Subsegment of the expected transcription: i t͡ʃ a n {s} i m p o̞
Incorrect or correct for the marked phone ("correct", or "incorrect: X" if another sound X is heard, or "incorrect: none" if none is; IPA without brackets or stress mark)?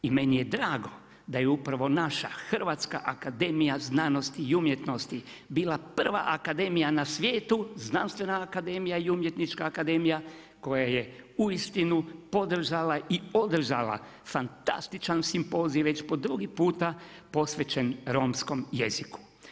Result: correct